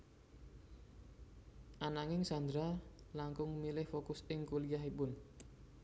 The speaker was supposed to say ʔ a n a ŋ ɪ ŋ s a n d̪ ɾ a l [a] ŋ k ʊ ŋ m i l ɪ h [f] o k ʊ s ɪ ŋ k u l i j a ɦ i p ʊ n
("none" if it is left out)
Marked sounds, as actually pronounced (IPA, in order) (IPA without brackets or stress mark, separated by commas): a, f